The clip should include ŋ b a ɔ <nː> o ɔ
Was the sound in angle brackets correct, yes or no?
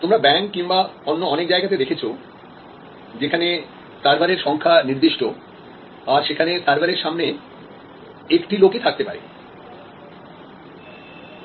yes